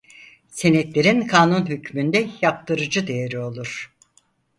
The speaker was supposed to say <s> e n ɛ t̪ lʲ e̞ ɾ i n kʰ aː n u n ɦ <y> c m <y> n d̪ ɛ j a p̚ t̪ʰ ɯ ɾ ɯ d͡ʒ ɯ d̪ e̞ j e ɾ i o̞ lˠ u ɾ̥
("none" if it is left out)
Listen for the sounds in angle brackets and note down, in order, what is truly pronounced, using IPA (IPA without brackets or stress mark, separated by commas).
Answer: s, y, y